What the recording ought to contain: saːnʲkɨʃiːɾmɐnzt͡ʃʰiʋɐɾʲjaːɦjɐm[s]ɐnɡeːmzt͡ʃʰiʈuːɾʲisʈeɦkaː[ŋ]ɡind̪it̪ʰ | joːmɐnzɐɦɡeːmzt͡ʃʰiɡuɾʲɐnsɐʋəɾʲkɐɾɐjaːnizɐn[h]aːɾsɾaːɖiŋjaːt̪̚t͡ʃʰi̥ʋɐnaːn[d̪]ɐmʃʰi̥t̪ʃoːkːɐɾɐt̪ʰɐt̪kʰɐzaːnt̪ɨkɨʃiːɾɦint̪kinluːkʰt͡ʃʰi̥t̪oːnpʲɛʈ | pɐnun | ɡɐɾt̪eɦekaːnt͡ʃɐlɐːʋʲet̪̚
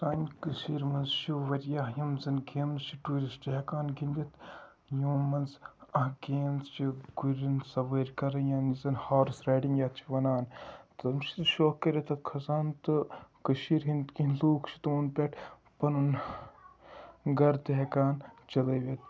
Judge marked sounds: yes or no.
no, no, yes, no

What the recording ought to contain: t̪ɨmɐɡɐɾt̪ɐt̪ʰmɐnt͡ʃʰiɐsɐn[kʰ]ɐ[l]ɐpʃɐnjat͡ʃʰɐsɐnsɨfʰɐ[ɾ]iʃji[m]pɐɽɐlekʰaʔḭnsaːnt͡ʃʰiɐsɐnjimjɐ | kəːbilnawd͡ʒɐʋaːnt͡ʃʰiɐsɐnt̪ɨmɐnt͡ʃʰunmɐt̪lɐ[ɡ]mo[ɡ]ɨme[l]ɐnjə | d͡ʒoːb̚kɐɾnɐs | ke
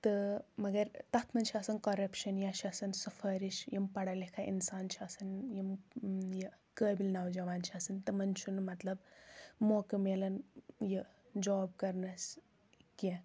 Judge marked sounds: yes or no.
no, no, yes, yes, no, no, yes

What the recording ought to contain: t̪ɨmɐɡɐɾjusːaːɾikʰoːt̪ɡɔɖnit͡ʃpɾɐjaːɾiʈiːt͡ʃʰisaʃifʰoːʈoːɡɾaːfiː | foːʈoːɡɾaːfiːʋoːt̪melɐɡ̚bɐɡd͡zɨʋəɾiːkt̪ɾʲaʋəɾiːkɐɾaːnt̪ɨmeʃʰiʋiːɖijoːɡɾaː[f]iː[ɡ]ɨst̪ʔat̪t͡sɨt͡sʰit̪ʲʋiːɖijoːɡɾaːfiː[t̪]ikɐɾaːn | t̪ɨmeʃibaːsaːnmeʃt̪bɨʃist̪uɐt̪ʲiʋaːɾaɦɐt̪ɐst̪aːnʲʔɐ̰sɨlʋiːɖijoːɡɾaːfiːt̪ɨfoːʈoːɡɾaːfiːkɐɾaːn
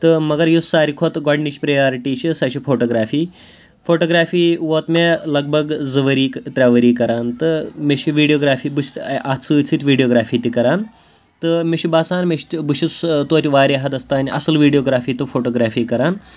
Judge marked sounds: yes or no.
yes, no, yes

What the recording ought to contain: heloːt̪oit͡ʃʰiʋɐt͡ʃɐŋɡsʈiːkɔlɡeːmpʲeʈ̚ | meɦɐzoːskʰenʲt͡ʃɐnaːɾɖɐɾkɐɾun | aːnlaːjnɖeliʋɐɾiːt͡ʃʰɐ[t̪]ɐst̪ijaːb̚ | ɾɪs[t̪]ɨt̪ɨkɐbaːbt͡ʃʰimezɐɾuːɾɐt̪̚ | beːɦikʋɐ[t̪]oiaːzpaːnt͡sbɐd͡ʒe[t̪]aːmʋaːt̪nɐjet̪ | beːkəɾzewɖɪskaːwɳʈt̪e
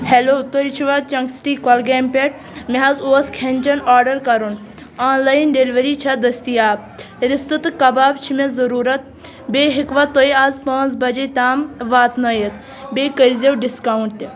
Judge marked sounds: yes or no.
no, yes, yes, yes

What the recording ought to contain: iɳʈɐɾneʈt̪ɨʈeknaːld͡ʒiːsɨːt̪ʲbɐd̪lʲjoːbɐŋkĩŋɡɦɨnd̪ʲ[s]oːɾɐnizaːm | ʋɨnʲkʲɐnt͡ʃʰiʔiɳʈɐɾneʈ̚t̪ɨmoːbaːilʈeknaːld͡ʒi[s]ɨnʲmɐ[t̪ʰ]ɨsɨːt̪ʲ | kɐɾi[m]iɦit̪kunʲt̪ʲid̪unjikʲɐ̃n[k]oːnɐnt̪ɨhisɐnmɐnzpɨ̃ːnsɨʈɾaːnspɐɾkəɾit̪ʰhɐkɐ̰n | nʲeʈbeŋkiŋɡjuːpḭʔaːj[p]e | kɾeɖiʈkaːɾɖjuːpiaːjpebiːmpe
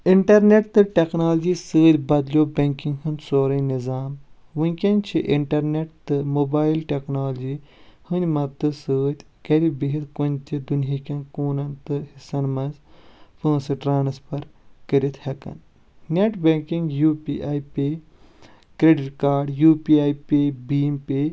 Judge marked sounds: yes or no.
yes, no, no, no, yes, yes

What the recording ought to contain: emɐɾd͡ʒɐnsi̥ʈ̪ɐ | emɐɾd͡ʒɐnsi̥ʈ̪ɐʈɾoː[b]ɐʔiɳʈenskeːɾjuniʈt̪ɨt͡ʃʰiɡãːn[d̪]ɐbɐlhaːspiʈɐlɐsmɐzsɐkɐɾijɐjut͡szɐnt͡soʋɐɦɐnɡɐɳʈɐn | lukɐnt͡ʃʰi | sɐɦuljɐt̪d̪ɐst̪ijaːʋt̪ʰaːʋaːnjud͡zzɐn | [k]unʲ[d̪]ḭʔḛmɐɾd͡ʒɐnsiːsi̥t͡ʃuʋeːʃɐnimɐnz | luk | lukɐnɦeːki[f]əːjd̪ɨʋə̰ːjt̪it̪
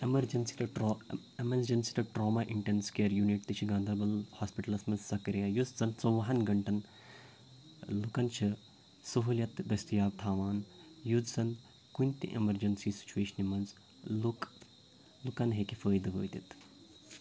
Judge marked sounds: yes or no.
no, yes, yes, no, yes

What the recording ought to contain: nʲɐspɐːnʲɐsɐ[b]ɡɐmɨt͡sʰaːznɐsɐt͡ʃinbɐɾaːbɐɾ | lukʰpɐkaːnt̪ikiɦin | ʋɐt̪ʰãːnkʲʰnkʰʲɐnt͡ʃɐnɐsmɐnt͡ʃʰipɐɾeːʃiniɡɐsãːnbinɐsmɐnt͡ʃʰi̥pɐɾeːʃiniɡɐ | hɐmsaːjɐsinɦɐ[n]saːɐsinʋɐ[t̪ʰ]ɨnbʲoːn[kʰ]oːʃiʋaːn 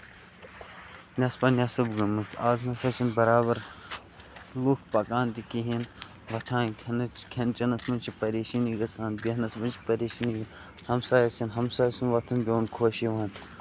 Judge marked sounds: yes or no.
yes, no, yes, yes

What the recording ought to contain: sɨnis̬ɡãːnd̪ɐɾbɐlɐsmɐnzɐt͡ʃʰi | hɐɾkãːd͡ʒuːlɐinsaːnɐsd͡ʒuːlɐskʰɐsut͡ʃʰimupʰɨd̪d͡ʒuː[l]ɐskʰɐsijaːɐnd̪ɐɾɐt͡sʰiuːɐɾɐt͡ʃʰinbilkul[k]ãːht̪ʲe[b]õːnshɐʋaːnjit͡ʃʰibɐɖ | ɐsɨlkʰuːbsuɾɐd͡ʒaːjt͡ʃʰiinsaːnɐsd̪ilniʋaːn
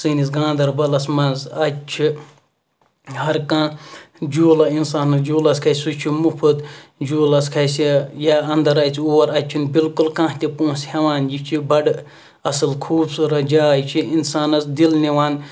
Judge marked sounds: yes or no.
yes, yes, no

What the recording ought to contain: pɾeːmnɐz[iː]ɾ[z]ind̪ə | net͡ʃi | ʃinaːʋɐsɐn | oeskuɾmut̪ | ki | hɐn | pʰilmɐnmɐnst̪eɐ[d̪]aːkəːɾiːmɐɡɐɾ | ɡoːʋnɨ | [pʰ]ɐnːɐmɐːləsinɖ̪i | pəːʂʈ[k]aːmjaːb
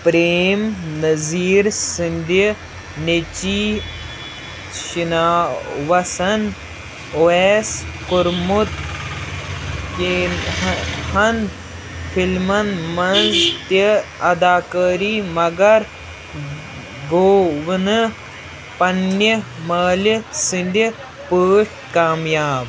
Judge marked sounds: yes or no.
yes, no, yes, no, yes

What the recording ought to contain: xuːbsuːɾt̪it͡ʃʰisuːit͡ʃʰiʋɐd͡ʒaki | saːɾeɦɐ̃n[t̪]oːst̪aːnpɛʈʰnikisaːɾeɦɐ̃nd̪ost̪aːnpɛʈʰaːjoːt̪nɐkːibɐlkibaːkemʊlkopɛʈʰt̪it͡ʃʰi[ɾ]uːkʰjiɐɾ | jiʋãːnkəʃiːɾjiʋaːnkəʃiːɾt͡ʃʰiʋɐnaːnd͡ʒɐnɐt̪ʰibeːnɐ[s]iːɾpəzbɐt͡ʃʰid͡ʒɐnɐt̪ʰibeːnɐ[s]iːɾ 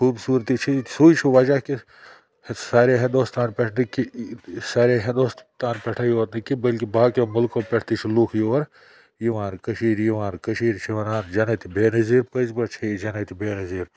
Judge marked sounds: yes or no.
no, no, no, no

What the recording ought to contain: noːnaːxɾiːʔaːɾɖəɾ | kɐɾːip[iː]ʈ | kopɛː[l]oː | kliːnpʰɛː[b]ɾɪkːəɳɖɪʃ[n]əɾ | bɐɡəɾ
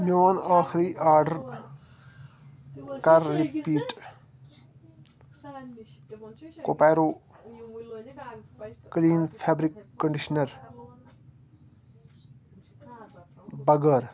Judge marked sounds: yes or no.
yes, no, yes, yes

